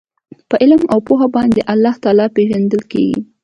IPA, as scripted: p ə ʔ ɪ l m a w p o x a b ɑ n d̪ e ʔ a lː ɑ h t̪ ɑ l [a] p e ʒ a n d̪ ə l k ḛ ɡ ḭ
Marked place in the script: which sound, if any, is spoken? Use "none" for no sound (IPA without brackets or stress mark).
ɑ